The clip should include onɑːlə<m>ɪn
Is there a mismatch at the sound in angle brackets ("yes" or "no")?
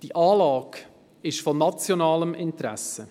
no